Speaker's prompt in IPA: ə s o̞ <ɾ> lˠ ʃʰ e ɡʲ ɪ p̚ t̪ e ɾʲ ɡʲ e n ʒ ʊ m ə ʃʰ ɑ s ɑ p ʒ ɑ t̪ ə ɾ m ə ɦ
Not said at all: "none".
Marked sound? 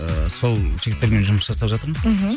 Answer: none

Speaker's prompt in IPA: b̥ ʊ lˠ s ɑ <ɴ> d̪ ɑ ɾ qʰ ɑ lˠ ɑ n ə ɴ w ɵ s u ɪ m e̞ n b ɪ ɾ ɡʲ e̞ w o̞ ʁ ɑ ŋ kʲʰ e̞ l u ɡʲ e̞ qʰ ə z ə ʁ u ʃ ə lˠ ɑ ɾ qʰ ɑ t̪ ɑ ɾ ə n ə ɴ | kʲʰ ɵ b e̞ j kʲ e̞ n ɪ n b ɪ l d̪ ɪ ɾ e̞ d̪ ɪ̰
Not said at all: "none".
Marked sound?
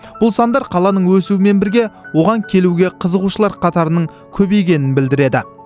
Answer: n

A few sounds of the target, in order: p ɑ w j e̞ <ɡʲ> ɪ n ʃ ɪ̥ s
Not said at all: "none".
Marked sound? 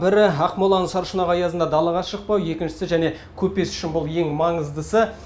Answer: kʲ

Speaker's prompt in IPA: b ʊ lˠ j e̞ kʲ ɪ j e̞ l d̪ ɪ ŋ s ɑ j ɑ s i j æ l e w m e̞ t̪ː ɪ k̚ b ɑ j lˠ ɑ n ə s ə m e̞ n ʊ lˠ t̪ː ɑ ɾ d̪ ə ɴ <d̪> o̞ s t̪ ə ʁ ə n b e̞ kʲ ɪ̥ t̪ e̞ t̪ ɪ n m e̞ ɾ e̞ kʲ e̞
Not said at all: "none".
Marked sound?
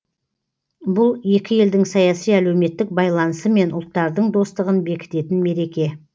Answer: d̪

